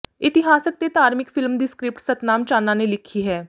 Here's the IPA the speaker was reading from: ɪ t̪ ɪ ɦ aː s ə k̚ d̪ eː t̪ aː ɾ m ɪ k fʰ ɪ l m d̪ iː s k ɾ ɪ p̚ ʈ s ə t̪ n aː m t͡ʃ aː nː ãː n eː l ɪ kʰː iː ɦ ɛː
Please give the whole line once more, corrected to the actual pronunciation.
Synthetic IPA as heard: ɪ t̪ ɪ ɦ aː s ə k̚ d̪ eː t̪ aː ɾ m ɪ k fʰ ɪ l m d̪ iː s k ɾ ɪ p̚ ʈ s ə t̪ n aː m t͡ʃ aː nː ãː n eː l ɪ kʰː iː ɦ ɛː